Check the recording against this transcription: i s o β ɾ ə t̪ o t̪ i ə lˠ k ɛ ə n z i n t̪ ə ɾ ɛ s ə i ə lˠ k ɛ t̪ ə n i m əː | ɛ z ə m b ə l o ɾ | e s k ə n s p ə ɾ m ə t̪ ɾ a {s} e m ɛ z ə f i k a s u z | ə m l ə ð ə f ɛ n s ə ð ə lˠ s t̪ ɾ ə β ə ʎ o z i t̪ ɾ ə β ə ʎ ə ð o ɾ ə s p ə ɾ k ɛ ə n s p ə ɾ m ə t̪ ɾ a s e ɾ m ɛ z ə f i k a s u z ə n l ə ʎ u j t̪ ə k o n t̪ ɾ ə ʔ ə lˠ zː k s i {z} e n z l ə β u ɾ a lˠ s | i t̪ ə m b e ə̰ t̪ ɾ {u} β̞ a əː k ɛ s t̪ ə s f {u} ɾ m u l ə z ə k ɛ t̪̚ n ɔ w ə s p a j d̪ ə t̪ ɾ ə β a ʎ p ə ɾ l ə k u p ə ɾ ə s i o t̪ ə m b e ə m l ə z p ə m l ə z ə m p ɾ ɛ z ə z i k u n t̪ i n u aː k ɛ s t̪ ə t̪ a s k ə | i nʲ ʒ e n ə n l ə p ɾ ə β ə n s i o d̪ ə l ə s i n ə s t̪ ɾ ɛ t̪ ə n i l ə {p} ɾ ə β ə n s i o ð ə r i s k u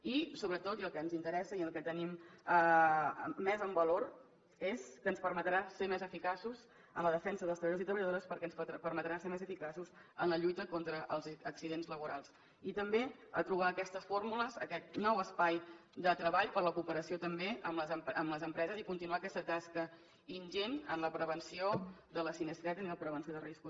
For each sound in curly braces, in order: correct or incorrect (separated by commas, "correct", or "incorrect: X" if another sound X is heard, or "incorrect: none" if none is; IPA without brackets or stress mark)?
correct, incorrect: ð, correct, incorrect: o, correct